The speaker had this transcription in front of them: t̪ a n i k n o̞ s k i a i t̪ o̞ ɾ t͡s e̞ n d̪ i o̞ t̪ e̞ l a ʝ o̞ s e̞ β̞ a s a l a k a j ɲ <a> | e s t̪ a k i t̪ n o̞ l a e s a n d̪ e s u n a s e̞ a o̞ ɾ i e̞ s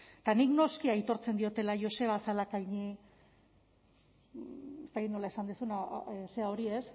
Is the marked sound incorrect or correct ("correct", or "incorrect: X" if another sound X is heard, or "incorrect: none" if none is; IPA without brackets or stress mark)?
incorrect: i